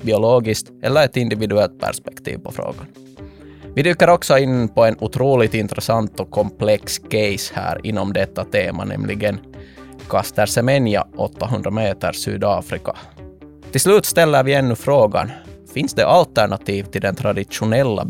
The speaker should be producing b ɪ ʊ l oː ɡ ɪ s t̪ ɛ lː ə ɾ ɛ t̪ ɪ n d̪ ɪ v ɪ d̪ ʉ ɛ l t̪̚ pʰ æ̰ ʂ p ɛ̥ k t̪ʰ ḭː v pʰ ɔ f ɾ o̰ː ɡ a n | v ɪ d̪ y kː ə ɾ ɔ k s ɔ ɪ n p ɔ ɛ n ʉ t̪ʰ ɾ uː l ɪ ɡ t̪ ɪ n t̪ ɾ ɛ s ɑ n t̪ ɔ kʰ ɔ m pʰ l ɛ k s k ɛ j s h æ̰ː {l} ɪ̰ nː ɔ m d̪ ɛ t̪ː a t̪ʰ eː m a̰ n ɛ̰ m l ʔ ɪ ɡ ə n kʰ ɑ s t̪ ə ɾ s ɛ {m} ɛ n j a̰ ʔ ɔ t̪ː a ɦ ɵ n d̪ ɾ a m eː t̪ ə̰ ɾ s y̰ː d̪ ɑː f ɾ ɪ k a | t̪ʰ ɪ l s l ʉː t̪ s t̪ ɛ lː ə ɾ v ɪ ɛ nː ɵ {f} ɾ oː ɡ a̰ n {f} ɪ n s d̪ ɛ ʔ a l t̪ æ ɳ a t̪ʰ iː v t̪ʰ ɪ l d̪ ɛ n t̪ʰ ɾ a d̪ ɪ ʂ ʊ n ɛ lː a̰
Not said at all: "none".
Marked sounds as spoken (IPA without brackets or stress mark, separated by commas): ɾ, m, f, f